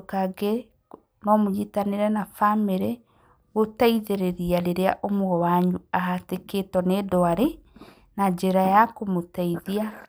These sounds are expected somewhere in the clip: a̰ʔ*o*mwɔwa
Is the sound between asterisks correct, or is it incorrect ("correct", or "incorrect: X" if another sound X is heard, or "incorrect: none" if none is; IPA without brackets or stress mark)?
correct